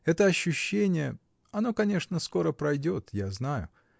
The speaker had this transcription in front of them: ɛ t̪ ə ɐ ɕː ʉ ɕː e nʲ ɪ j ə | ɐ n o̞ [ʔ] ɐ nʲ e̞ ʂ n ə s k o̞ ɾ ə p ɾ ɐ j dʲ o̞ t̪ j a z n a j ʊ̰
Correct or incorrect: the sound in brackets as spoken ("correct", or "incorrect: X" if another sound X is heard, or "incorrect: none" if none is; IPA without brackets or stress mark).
incorrect: k